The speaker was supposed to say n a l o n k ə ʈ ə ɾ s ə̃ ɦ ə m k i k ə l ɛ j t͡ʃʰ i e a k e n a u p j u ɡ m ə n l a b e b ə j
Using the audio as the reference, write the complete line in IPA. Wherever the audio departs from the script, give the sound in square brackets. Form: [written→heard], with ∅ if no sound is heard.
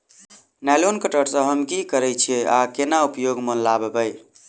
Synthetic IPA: n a l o n k ə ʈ ə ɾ s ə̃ ɦ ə m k i k ə [l→ɾ] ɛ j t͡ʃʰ i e a k e n a u p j [u→o] ɡ m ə n l a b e b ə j